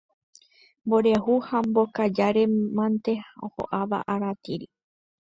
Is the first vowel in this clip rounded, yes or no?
yes